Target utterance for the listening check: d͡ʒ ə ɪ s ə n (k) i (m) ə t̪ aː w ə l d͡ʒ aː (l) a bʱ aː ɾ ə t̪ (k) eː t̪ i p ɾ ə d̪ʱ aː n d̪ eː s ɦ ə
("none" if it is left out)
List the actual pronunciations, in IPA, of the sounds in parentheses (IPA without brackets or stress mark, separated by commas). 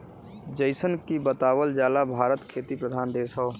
k, b, l, kʰ